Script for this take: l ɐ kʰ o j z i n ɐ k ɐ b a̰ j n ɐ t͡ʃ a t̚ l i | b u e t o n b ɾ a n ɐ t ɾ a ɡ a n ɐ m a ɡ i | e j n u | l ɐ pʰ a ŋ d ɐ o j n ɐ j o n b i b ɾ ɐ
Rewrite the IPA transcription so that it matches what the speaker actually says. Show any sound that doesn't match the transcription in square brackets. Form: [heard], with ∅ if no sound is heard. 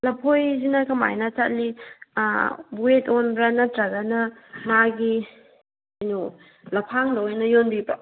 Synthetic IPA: l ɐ [pʰ] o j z i n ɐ k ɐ [m] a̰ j n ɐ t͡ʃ a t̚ l i | b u e t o n b ɾ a n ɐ t ɾ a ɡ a n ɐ m a ɡ i | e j n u | l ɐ pʰ a ŋ d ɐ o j n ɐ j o n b i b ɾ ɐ